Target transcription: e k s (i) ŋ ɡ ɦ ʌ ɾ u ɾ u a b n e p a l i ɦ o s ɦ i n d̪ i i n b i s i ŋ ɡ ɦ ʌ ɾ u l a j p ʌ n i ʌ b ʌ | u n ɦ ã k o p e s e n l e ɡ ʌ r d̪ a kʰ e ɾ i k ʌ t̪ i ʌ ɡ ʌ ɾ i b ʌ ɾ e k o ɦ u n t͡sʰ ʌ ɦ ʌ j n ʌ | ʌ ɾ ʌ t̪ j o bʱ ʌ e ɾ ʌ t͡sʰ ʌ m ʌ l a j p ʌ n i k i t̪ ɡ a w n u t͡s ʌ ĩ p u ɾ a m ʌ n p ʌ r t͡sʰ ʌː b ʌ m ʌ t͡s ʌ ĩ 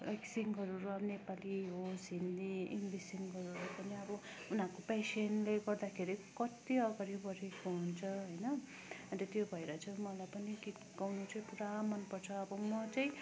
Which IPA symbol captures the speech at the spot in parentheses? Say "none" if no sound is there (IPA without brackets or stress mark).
i